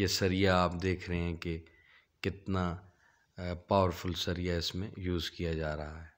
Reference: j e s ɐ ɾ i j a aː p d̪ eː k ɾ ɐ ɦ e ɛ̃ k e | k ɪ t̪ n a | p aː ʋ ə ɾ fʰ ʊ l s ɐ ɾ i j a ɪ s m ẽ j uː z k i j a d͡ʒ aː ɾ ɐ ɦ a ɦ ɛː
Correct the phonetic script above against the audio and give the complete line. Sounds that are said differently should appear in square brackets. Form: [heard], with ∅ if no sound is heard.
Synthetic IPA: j e s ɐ ɾ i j a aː p d̪ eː [kʰ] ɾ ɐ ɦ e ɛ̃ k e | k ɪ t̪ n a | p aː ʋ ə ɾ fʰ ʊ l s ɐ ɾ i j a ɪ s m ẽ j uː z k i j a d͡ʒ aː ɾ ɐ ɦ a ɦ ɛː